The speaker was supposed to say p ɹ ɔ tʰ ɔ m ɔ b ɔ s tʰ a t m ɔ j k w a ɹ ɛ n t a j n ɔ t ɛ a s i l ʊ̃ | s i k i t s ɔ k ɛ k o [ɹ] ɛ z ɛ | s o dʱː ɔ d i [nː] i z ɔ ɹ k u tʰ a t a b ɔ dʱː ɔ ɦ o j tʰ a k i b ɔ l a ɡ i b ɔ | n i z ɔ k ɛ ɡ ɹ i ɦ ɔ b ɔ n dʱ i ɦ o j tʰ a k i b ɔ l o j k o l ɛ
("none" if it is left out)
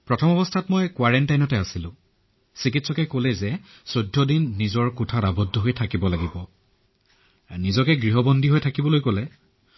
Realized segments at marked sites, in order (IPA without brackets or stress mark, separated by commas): l, nː